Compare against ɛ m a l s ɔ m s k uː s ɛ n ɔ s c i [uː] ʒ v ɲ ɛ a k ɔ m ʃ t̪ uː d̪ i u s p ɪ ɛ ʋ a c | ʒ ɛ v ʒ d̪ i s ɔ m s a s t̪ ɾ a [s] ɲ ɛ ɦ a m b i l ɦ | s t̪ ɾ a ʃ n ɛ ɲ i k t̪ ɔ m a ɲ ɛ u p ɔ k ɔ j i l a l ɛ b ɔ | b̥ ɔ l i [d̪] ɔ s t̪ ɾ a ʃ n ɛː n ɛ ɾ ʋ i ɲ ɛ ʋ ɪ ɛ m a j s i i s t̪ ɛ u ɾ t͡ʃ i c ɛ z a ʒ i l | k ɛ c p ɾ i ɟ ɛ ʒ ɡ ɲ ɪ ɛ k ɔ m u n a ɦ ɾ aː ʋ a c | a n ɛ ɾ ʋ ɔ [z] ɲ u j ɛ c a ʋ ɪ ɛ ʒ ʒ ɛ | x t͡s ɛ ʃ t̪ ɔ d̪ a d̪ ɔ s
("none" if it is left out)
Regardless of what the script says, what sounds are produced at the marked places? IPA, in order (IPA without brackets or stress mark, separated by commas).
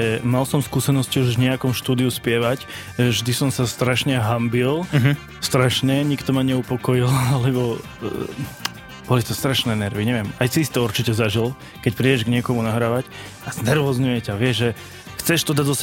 u, ʃ, t̪, z